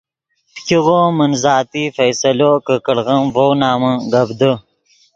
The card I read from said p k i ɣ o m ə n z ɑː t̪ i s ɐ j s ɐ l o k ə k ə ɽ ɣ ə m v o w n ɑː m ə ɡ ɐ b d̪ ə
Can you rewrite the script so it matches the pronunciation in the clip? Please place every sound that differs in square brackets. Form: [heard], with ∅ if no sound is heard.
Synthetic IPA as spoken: p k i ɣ o m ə n z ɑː t̪ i [f] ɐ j s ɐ l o k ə k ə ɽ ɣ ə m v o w n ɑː m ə ɡ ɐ b d̪ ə